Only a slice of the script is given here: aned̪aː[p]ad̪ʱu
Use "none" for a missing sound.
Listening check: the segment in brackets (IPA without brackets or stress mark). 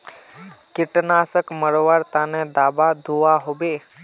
b